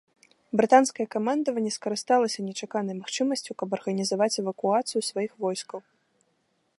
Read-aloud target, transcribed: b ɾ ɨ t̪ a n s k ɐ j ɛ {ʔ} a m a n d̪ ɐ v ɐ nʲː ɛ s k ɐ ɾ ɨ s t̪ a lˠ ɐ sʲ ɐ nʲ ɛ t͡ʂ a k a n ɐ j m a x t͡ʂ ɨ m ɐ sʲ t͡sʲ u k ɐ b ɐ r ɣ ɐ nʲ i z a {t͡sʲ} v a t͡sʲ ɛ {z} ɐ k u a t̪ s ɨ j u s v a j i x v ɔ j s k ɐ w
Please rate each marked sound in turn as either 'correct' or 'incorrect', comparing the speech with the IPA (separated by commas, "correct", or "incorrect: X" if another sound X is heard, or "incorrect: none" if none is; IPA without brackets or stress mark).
incorrect: k, incorrect: none, incorrect: v